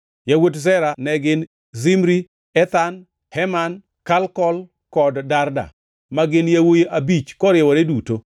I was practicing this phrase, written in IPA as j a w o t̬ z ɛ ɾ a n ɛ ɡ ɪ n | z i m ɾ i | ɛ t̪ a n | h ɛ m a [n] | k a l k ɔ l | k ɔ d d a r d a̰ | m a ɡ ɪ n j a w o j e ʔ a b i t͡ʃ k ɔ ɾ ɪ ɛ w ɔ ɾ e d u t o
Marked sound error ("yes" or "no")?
no